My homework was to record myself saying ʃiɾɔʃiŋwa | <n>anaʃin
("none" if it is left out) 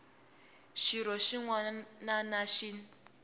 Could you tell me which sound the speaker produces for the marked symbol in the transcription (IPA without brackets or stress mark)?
n